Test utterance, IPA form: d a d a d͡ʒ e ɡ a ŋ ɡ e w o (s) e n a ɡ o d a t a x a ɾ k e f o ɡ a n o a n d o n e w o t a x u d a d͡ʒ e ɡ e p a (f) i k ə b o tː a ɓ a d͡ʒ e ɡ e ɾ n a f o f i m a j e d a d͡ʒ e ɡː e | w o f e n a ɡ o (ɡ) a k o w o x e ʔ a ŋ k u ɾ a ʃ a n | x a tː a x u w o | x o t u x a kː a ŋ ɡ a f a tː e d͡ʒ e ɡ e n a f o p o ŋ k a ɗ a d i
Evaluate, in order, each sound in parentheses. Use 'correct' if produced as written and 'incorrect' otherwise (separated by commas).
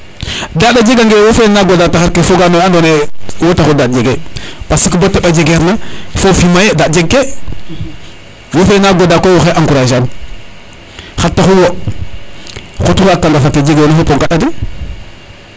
incorrect, incorrect, incorrect